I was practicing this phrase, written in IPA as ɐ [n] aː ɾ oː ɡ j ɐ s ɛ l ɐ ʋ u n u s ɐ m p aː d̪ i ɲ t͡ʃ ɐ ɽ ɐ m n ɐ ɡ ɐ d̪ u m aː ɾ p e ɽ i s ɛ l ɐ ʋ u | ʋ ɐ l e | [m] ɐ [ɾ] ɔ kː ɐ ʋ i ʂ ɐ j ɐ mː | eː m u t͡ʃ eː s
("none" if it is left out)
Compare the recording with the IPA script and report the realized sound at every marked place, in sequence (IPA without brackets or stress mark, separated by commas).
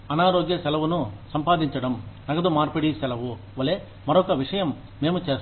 n, m, ɾ